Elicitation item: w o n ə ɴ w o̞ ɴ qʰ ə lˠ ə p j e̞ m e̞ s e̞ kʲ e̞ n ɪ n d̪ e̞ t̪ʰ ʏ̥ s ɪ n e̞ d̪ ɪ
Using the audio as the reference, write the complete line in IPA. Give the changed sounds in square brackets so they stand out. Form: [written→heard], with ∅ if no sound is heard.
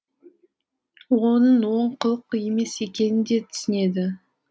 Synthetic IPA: w o n ə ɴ w o̞ ɴ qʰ ə lˠ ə [p→q] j e̞ m e̞ s e̞ kʲ e̞ n ɪ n d̪ e̞ t̪ʰ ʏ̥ s ɪ n e̞ d̪ ɪ